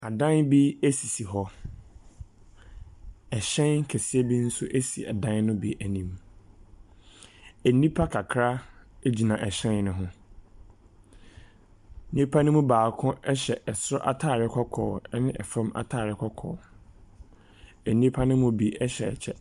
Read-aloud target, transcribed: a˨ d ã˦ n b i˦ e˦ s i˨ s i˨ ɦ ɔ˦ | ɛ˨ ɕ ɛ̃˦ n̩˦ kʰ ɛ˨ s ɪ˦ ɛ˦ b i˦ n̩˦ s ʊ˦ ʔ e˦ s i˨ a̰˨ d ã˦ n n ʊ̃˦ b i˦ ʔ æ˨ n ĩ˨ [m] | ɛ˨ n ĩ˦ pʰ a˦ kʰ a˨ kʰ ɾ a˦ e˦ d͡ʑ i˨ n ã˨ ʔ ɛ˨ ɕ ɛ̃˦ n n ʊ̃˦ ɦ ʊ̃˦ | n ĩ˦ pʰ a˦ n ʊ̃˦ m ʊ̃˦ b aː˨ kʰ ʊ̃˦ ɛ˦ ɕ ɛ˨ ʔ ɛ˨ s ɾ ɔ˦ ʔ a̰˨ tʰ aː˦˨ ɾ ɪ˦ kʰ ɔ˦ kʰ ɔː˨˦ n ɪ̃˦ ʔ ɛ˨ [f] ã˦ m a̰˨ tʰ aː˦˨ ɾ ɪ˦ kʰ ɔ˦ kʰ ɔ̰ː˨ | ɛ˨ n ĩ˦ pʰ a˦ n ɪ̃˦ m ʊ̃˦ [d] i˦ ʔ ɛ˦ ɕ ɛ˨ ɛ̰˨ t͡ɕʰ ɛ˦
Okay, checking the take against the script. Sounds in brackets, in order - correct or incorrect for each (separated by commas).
correct, correct, incorrect